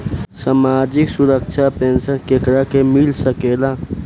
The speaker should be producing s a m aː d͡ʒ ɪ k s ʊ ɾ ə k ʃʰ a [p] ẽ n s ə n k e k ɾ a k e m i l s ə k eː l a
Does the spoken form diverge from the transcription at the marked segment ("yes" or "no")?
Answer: no